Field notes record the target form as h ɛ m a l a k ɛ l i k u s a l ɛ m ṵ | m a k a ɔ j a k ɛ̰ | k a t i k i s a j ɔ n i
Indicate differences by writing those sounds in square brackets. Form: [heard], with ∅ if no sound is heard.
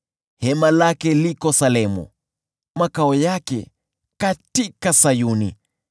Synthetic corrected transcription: h ɛ m a l a k ɛ l i k [ɔ] s a l ɛ m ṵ | m a k a ɔ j a k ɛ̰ | k a t i k [a] s a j [u] n i

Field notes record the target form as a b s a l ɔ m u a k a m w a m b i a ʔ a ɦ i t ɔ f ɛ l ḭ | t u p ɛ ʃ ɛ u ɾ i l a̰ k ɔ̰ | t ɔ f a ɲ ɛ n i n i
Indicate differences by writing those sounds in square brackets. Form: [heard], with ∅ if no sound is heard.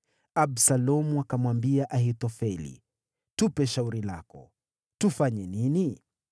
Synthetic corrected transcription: a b s a l ɔ m u a k a m w a m b i a ʔ a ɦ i t ɔ f ɛ l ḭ | t u p ɛ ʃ [a] u ɾ i l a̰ k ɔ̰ | t [u] f a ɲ ɛ n i n i

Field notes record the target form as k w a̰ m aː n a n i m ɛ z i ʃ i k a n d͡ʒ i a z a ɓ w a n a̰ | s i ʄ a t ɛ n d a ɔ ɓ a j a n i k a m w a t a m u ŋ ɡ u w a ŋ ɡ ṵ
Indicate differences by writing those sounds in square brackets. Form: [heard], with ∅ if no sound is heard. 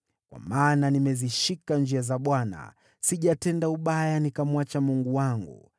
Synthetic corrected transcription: k w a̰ m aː n a n i m ɛ z i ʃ i k a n d͡ʒ i a z a ɓ w a n a̰ | s i ʄ a t ɛ n d a [u] ɓ a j a n i k a m w a [t͡ʃ] a m u ŋ ɡ u w a ŋ ɡ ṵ

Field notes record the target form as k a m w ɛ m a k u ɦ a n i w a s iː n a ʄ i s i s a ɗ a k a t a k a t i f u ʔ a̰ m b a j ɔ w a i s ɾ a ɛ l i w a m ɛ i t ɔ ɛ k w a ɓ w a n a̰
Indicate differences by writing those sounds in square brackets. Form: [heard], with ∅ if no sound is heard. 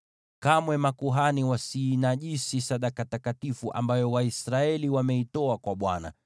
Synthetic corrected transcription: k a m w ɛ m a k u ɦ a n i w a s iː n a ʄ i s i s a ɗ a k a t a k a t i f u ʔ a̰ m b a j ɔ w a i s ɾ a ɛ l i w a m ɛ i t ɔ [a] k w a ɓ w a n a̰

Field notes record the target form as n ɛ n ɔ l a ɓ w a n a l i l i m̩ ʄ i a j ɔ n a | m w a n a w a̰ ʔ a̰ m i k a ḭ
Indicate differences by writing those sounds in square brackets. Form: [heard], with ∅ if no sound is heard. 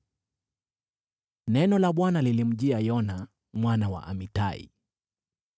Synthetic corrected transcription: n ɛ n ɔ l a ɓ w a n a l i l i m̩ ʄ i a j ɔ n a | m w a n a w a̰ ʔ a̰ m i [t] a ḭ

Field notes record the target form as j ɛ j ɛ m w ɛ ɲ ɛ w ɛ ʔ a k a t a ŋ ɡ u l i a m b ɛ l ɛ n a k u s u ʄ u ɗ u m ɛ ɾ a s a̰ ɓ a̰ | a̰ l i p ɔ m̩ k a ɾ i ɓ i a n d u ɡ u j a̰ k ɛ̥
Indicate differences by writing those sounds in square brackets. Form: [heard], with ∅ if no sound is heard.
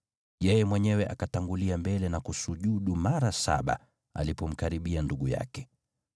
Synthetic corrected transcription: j ɛ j ɛ m w ɛ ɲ ɛ w ɛ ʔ a k a t a ŋ ɡ u l i a m b ɛ l ɛ n a k u s u ʄ u ɗ u m [a] ɾ a s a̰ ɓ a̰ | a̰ l i p ɔ m̩ k a ɾ i ɓ i a n d u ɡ u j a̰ k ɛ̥

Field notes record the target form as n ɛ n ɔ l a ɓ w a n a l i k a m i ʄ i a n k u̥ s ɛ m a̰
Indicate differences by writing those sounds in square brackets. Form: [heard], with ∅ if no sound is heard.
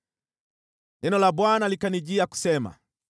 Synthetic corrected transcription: n ɛ n ɔ l a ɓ w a n a l i k a [n] i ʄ i a [∅] k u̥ s ɛ m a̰

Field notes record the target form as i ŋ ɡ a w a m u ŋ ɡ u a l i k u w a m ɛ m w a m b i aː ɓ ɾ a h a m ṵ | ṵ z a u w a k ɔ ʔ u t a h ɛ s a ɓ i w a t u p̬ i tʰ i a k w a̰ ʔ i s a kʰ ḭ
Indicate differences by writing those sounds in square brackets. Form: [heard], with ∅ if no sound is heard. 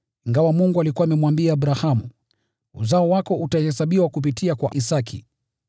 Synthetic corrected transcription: i ŋ ɡ a w a m u ŋ ɡ u a l i k u w a m ɛ m w a m b i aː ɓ ɾ a h a m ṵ | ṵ z a [ɔ] w a k ɔ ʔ u t a h ɛ s a ɓ i w a [k] u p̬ i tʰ i a k w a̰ ʔ i s a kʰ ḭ

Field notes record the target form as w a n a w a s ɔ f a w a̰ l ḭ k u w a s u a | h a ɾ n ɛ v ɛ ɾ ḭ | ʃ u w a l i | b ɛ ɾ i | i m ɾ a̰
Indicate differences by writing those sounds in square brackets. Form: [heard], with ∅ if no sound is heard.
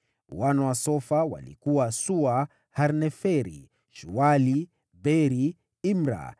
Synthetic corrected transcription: w a n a w a s ɔ f a w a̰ l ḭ k u w a s u a | h a ɾ n ɛ [f] ɛ ɾ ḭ | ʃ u w a l i | b ɛ ɾ i | i m ɾ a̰

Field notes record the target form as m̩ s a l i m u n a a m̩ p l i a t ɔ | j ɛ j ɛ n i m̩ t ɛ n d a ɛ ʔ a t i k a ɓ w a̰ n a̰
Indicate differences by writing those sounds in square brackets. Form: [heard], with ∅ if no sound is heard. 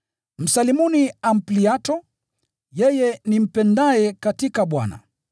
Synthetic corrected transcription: m̩ s a l i m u n [i] a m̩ p l i a t ɔ | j ɛ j ɛ n i m̩ [p] ɛ n d a ɛ [k] a t i k a ɓ w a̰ n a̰

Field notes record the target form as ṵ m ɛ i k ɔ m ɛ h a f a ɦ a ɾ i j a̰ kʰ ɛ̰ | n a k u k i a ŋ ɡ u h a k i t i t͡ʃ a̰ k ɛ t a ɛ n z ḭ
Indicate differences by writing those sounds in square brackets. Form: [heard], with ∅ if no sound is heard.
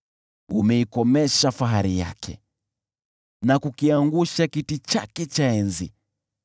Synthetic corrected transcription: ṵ m ɛ i k ɔ m ɛ [ʃ] a f a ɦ a ɾ i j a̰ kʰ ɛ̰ | n a k u k i a ŋ ɡ u [ʃ] a k i t i t͡ʃ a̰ k ɛ [t͡ʃ] a ɛ n z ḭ

